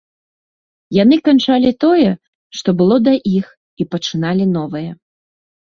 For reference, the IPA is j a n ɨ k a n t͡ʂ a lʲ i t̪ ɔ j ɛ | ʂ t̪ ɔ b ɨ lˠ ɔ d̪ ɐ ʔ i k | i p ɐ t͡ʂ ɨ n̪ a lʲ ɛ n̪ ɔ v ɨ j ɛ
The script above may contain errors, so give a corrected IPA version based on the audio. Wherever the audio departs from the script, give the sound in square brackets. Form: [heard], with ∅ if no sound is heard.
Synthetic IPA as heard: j a n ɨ k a n t͡ʂ a lʲ i t̪ ɔ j ɛ | ʂ t̪ ɔ b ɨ lˠ ɔ d̪ ɐ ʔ i [x] | i p ɐ t͡ʂ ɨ n̪ a lʲ [i] n̪ ɔ v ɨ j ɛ

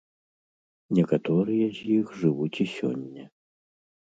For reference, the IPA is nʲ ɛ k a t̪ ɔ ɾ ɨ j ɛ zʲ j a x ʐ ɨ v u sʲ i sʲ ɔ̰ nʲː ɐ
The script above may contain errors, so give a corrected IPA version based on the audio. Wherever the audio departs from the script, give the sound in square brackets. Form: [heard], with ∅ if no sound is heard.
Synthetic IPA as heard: nʲ ɛ k a t̪ ɔ ɾ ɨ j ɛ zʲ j [i] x ʐ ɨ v u [t͡sʲ] i sʲ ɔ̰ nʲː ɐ

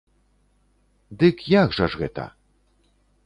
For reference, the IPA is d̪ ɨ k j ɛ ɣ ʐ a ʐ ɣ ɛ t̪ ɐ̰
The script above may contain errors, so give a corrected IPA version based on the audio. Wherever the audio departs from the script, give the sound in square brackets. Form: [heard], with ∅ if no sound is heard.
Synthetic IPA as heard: d̪ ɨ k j [a] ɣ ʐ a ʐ ɣ ɛ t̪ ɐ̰

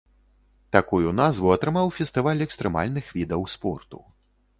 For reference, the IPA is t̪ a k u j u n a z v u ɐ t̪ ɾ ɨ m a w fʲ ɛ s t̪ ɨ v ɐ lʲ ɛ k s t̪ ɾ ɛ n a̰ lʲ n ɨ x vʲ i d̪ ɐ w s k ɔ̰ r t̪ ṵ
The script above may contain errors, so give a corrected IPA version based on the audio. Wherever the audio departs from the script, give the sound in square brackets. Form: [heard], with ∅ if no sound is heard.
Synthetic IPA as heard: t̪ a k u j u n a z v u ɐ t̪ ɾ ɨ m a w fʲ ɛ s t̪ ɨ v [a] lʲ ɛ k s t̪ ɾ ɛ [m] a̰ lʲ n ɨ x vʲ i d̪ ɐ w s [p] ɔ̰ r t̪ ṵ

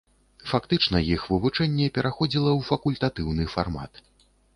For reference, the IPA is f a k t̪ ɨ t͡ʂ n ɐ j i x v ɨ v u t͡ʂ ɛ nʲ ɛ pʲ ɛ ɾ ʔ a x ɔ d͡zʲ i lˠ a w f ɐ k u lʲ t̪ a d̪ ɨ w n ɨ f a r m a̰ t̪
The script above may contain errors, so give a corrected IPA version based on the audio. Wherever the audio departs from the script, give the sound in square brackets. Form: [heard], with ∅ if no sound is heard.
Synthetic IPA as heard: f a k t̪ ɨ t͡ʂ n ɐ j i x v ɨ v u t͡ʂ ɛ [nʲː] ɛ pʲ ɛ ɾ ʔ a x ɔ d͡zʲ i lˠ [ɐ] w f ɐ k u lʲ t̪ a [t̪] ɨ w n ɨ f a r m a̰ t̪

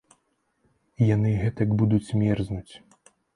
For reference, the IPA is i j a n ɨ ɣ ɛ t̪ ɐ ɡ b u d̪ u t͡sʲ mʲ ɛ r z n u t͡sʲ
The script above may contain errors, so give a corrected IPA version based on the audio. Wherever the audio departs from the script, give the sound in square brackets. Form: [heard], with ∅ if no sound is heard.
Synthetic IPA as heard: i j a n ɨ ɣ ɛ t̪ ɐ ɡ b u d̪ u t͡sʲ mʲ ɛ r z n u t͡sʲ

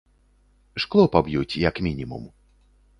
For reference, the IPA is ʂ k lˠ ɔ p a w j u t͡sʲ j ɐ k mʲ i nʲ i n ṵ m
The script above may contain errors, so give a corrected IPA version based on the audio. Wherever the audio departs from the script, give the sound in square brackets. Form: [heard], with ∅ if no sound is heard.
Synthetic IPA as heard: ʂ k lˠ ɔ p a [b] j u t͡sʲ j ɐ k mʲ i nʲ i [m] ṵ m

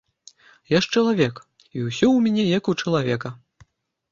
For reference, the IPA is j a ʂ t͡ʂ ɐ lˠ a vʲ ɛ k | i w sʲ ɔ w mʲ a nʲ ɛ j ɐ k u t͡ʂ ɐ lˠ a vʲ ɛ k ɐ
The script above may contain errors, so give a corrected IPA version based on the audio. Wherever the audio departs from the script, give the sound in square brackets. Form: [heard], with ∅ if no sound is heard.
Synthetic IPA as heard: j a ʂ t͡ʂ ɐ lˠ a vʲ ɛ k | i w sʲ ɔ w mʲ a nʲ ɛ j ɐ k u t͡ʂ ɐ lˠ a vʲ ɛ k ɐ

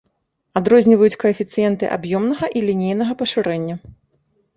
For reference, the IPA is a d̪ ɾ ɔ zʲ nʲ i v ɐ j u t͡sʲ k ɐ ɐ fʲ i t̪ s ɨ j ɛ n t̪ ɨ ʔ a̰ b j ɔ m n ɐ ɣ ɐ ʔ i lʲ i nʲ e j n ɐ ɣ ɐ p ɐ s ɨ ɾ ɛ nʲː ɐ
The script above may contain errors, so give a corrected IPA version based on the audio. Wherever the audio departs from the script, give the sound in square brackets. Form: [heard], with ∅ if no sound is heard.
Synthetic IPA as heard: a d̪ ɾ ɔ zʲ nʲ i v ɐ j u t͡sʲ k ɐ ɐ fʲ i t̪ s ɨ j ɛ n t̪ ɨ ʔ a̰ b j ɔ m n ɐ ɣ ɐ ʔ i lʲ i nʲ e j n ɐ ɣ ɐ p ɐ [ʂ] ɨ ɾ ɛ nʲː ɐ

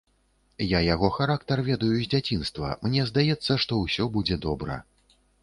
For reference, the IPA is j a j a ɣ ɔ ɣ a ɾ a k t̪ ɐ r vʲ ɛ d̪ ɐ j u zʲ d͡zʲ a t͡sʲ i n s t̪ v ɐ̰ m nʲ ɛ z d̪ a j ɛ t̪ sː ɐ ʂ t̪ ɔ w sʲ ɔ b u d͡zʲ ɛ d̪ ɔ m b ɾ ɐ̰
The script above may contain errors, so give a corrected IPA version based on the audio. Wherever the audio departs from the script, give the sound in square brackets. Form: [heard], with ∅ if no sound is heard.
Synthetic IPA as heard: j a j a ɣ ɔ [x] a ɾ a k t̪ ɐ r vʲ ɛ d̪ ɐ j u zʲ d͡zʲ a t͡sʲ i n s t̪ v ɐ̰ m nʲ ɛ z d̪ a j ɛ t̪ sː ɐ ʂ t̪ ɔ w sʲ ɔ b u d͡zʲ ɛ d̪ ɔ [∅] b ɾ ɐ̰

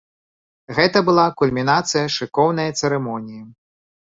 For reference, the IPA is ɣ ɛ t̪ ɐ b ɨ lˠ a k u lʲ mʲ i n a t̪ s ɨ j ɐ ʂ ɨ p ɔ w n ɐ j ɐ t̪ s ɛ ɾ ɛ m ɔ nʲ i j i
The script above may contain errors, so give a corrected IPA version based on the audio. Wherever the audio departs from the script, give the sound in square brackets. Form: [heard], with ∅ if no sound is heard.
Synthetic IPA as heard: ɣ ɛ t̪ ɐ b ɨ lˠ a k u lʲ mʲ i n a t̪ s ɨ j ɐ ʂ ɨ [k] ɔ w n ɐ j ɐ t̪ s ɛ ɾ ɛ m ɔ nʲ i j i

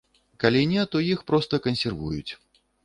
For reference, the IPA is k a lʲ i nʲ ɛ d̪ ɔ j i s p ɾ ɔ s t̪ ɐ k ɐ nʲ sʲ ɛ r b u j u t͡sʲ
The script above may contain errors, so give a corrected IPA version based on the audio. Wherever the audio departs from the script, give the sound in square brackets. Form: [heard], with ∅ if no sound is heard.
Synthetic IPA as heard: k a lʲ i nʲ ɛ [t̪] ɔ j i [x] p ɾ ɔ s t̪ ɐ k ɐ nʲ sʲ ɛ r [v] u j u t͡sʲ

